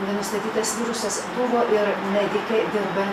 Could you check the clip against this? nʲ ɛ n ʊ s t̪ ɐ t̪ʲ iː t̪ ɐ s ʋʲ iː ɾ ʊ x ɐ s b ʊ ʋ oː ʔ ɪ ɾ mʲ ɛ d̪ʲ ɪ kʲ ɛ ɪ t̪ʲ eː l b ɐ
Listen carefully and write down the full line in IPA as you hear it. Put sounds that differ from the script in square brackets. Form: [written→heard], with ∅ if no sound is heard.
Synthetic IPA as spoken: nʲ ɛ n ʊ s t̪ ɐ t̪ʲ iː t̪ ɐ s ʋʲ iː ɾ ʊ [x→s] ɐ s b ʊ ʋ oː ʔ ɪ ɾ mʲ ɛ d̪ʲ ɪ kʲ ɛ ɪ [t̪ʲ→d̪ʲ] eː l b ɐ